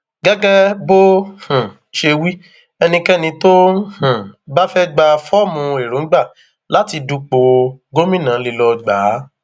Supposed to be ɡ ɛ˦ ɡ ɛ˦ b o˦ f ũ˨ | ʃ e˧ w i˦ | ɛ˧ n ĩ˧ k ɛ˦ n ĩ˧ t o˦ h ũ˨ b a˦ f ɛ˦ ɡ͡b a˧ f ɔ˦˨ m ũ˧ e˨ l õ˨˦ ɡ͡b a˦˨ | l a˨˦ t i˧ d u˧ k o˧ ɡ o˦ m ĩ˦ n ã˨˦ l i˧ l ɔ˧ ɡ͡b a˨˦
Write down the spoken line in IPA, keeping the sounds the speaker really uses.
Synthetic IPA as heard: ɡ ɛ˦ ɡ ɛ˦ b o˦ h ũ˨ | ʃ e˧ w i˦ | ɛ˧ n ĩ˧ k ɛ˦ n ĩ˧ t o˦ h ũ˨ b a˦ f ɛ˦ ɡ͡b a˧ f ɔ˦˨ m ũ˧ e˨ ɾ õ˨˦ ɡ͡b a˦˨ | l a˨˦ t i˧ d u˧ k͡p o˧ ɡ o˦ m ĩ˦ n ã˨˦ l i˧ l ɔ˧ ɡ͡b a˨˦